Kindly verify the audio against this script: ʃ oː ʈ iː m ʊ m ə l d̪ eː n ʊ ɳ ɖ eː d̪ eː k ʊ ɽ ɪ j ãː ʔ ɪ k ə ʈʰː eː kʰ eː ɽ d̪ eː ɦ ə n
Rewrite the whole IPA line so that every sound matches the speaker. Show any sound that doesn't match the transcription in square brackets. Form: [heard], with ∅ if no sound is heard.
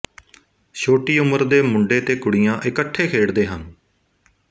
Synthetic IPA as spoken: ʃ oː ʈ iː [∅] ʊ m ə [ɾ] d̪ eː [m] ʊ ɳ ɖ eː [t̪] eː k ʊ ɽ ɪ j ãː ʔ ɪ k ə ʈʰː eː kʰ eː ɽ d̪ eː ɦ ə n